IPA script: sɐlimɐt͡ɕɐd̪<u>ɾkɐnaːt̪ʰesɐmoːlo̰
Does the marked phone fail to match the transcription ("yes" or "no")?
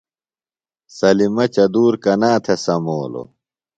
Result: yes